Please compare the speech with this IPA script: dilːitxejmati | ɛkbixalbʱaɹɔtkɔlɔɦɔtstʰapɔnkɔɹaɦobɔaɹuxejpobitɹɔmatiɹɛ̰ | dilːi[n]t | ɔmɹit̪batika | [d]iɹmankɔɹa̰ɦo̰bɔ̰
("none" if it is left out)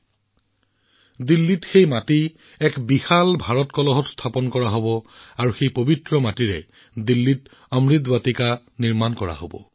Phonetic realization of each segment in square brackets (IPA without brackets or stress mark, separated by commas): none, n